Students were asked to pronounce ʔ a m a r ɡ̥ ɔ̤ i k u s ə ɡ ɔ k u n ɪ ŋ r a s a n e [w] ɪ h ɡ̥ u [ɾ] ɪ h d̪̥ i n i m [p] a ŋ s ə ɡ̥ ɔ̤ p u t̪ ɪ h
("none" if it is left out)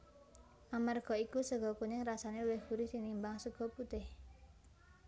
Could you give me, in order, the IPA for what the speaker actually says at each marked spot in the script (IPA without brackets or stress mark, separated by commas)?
w, ɾ, b